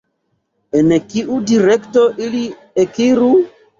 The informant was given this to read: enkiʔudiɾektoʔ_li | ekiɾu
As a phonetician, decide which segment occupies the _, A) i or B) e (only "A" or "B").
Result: A